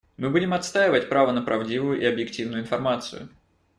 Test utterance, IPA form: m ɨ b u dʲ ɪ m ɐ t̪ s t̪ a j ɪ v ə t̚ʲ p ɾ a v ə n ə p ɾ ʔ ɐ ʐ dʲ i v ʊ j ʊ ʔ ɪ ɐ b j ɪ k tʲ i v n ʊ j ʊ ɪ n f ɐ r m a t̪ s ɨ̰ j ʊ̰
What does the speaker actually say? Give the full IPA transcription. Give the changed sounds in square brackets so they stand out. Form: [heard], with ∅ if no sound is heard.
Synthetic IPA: m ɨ b u dʲ ɪ m ɐ t̪ s t̪ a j ɪ v ə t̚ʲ p ɾ a v ə n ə p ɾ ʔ ɐ [v] dʲ i v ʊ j ʊ ʔ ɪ ɐ b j ɪ k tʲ i v n ʊ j ʊ ɪ n f ɐ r m a t̪ s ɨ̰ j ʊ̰

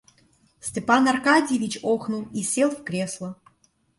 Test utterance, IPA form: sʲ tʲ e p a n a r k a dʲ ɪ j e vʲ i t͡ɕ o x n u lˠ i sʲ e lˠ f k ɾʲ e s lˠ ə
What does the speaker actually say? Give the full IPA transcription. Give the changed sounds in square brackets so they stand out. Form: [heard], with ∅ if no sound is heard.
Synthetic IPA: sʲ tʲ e p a n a r k a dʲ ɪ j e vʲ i t͡ɕ o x n u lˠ i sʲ e lˠ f k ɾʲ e s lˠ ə

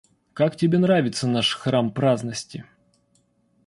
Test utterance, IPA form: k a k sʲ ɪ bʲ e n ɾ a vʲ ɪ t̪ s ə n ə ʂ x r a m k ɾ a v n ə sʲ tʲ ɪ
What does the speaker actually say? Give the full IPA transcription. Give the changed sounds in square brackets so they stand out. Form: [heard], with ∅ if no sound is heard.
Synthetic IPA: k a k [tʲ] ɪ bʲ e n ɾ a vʲ ɪ t̪ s ə n [a] ʂ x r a m [p] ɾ a [z] n ə sʲ tʲ ɪ

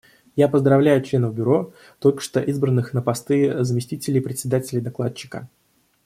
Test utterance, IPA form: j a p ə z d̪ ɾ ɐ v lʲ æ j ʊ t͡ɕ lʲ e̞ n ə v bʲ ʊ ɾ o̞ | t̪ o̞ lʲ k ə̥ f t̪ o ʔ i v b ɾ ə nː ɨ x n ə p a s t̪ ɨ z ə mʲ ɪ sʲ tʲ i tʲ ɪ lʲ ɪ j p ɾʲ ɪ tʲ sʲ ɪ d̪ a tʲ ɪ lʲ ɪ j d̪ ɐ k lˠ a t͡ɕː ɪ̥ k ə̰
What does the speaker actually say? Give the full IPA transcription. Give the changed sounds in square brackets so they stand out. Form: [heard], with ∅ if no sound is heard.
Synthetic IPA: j a p ə z d̪ ɾ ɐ v lʲ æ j ʊ t͡ɕ lʲ e̞ n ə v bʲ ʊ ɾ o̞ | t̪ o̞ lʲ k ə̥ [ʂ] t̪ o ʔ i [z] b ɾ ə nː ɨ x n ə p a s t̪ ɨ z ə mʲ ɪ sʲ tʲ i tʲ ɪ lʲ ɪ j p ɾʲ ɪ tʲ sʲ ɪ d̪ a tʲ ɪ lʲ ɪ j d̪ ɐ k lˠ a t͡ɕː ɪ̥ k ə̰

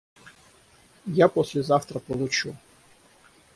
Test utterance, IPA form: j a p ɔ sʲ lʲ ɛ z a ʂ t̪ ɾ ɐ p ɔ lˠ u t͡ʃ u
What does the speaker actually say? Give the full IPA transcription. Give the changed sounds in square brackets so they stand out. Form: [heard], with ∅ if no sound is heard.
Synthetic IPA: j a p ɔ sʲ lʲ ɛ z a [f] t̪ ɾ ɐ p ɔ lˠ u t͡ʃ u

